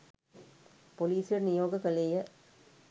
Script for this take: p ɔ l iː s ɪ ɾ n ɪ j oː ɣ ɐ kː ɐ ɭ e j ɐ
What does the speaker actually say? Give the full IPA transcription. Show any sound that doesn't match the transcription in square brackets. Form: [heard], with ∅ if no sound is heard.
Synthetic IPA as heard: p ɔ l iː s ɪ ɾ n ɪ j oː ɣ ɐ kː ɐ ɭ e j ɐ

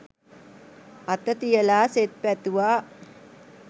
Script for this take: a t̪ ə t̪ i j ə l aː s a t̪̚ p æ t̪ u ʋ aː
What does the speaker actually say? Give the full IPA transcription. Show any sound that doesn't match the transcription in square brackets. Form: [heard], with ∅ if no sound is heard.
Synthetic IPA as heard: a t̪ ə t̪ i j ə l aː s [e] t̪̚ p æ t̪ u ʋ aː

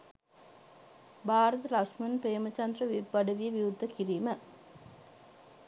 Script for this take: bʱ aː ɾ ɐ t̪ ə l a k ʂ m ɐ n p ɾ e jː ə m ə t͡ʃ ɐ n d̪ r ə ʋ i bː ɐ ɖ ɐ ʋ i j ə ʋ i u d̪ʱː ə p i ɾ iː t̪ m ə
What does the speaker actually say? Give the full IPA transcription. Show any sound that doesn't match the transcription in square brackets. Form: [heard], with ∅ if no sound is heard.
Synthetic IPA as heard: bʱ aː ɾ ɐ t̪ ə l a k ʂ m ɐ n p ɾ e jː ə m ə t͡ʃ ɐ n d̪ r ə ʋ i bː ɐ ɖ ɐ ʋ i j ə ʋ i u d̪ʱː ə [k] i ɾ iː [∅] m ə

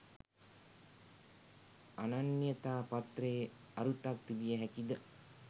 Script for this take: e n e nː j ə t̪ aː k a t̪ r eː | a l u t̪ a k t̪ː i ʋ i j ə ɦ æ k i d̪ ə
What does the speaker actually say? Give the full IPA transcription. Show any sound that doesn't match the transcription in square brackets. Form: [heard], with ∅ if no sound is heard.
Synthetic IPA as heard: [a] n [a] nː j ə t̪ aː [p] a t̪ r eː | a [ɾ] u t̪ a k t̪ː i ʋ i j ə ɦ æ k i d̪ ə

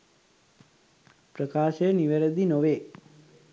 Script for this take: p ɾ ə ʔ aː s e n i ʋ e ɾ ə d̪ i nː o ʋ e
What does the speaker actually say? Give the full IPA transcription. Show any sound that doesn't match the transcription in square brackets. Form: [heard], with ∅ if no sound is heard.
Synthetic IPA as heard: p ɾ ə [k] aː [ʃ] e n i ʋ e ɾ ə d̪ i [n] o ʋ e

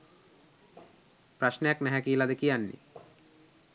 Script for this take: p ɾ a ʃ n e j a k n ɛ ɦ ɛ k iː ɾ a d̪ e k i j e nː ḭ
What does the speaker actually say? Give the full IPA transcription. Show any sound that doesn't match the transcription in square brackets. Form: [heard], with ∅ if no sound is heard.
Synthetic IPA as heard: p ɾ a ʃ n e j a k n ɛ ɦ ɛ k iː [l] a d̪ e k i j [a] nː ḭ

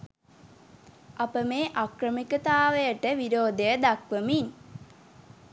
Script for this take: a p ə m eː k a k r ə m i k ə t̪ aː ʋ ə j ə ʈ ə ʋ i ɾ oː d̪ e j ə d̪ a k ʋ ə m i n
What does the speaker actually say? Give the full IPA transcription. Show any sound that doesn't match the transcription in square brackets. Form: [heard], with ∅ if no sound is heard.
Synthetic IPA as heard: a p ə m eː [ʔ] a k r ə m i k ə t̪ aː ʋ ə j ə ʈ ə ʋ i ɾ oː d̪ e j ə d̪ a k ʋ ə m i n

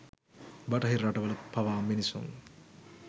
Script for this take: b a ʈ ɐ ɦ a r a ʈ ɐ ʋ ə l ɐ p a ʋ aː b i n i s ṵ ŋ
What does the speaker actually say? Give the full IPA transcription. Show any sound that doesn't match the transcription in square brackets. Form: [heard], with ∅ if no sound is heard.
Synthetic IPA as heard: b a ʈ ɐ ɦ [i] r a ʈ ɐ ʋ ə l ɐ p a ʋ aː [m] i n i s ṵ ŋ

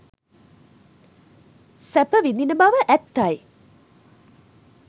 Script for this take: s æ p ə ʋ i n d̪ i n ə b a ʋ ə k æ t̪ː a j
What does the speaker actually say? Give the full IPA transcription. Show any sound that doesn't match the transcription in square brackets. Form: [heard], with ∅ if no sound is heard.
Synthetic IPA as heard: s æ p ə ʋ i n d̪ i n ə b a ʋ ə [ʔ] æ t̪ː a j

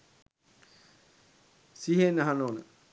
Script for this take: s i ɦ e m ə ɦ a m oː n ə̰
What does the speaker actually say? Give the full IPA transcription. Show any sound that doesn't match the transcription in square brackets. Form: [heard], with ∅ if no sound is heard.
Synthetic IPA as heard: s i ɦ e [n] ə ɦ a [n] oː n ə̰

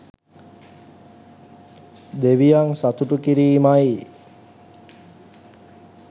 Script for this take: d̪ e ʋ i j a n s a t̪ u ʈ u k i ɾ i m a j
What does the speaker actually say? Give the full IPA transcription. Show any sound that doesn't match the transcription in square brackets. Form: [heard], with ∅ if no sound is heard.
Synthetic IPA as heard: d̪ e ʋ i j a [ŋ] s a t̪ u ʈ u k i ɾ [iː] m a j

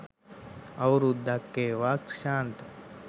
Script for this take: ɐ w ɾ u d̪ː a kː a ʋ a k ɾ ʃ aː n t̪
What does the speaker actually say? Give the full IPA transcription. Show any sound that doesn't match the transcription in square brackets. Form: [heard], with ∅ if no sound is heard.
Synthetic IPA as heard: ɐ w ɾ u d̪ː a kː [e] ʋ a k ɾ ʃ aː n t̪

